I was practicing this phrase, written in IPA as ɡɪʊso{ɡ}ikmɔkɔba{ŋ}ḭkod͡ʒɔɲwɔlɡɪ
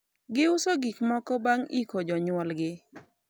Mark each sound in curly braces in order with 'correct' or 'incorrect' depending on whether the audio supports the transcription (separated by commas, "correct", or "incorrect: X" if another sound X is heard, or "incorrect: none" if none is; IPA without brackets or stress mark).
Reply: correct, correct